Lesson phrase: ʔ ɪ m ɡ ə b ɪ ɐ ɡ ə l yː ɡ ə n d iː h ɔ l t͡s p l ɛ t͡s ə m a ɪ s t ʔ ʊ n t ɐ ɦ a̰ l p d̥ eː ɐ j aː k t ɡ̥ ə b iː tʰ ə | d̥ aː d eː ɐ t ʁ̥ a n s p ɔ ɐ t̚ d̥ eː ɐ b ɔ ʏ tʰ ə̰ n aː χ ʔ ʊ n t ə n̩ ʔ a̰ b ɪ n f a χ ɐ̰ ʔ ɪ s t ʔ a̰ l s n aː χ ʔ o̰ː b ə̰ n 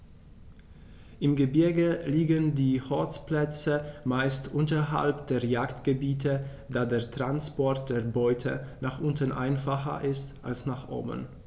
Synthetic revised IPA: ʔ ɪ m ɡ ə b ɪ ɐ ɡ ə l iː ɡ ə n d iː h ɔ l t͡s p l ɛ t͡s ə m a ɪ s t ʔ ʊ n t ɐ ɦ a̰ l p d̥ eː ɐ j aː k t ɡ̥ ə b iː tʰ ə | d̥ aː d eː ɐ t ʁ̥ a n s p ɔ ɐ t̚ d̥ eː ɐ b ɔ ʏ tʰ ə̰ n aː χ ʔ ʊ n t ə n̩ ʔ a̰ ɪ n f a χ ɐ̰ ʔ ɪ s t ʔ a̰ l s n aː χ ʔ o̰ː b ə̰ n